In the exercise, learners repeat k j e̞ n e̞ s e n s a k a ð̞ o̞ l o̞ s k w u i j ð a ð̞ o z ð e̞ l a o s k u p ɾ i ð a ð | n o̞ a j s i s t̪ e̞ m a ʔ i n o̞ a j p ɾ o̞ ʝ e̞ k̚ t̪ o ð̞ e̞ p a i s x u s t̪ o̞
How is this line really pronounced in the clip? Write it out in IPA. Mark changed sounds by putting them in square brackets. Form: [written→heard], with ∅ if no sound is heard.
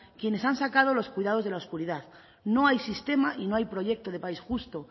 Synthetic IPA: k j e̞ n e̞ s [e→a] n s a k a ð̞ o̞ l o̞ s k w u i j ð a ð̞ o z ð e̞ l a o s k u [p→∅] ɾ i ð a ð | n o̞ a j s i s t̪ e̞ m a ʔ i n o̞ a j p ɾ o̞ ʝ e̞ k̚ t̪ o ð̞ e̞ p a i s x u s t̪ o̞